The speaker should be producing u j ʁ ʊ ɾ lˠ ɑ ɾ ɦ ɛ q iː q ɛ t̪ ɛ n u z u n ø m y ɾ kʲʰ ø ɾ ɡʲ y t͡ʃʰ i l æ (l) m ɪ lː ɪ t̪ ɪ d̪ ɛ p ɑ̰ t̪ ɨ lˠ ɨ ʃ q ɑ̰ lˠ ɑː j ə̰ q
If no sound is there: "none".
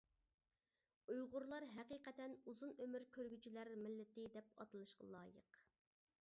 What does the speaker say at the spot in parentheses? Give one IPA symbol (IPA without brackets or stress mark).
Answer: ɾ